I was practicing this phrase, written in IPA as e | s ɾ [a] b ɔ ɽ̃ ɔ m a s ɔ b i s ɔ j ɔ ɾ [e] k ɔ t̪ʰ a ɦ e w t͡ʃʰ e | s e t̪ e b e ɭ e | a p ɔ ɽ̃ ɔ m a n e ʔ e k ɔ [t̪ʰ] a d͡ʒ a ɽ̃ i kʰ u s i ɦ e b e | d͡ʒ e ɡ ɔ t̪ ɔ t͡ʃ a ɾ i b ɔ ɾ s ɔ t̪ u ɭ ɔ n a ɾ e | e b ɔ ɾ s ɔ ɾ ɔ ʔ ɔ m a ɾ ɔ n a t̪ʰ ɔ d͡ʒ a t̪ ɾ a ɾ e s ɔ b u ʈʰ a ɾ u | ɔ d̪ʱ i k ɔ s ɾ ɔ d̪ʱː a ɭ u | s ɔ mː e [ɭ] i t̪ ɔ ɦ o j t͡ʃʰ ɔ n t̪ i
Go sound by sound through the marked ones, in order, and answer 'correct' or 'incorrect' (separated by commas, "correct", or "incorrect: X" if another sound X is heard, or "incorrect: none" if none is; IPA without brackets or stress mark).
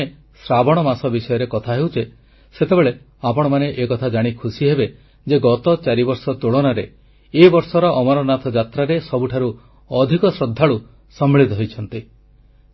correct, correct, correct, correct